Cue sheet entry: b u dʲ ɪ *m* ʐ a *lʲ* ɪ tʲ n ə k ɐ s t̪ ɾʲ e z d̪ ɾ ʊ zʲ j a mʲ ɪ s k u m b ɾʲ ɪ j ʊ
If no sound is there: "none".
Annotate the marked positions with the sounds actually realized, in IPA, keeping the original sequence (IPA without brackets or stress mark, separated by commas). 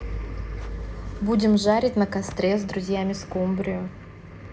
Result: m, ɾʲ